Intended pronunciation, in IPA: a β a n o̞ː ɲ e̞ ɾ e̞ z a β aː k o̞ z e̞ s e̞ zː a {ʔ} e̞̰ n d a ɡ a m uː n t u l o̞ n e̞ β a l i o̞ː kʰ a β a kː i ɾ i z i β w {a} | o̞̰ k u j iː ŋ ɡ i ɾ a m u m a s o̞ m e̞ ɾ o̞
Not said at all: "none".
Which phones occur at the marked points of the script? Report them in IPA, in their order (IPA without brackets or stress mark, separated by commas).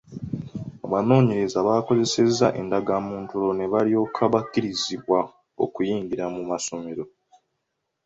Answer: ʔ, a